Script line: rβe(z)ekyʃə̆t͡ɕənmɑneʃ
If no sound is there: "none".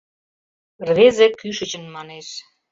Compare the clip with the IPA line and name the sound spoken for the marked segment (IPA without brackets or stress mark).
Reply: z